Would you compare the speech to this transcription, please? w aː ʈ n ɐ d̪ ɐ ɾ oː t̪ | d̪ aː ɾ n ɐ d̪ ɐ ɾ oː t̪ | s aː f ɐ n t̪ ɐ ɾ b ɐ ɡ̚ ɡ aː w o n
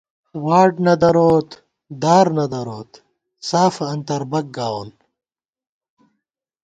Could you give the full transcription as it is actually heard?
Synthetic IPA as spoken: w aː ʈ n ɐ d̪ ɐ ɾ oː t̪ | d̪ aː ɾ n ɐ d̪ ɐ ɾ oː t̪ | s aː f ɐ n t̪ ɐ ɾ b ɐ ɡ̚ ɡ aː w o n